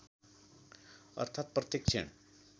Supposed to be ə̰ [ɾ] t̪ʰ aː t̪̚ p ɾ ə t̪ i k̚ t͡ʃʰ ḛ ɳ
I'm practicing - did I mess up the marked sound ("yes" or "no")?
no